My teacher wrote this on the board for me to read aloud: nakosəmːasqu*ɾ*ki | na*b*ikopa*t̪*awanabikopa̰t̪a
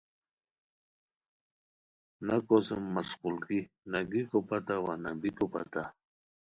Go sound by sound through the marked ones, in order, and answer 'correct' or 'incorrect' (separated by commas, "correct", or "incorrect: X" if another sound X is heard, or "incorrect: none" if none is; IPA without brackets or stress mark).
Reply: incorrect: l, incorrect: ɡ, correct